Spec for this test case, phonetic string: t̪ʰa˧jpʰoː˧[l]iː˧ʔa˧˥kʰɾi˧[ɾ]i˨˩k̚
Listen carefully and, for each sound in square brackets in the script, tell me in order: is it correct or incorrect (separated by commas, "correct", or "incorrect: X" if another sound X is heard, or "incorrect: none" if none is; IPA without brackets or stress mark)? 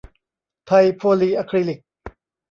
correct, incorrect: l